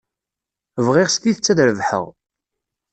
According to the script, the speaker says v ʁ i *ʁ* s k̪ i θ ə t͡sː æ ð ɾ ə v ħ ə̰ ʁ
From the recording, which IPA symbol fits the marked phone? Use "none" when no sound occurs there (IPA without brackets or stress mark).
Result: ʁ